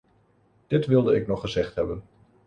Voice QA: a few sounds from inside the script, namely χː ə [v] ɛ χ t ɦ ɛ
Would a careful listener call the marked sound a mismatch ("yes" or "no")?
yes